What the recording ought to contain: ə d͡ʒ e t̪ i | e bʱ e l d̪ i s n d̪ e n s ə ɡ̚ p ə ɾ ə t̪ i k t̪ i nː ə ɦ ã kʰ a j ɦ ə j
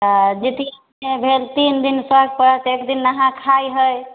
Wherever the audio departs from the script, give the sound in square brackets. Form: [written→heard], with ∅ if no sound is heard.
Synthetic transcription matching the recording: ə d͡ʒ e t̪ i | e bʱ e l [d̪→t̪] i [s→∅] n d̪ [e→i] n s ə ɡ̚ p ə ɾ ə t̪ [i→e] k [t̪→d̪] i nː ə ɦ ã kʰ a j ɦ ə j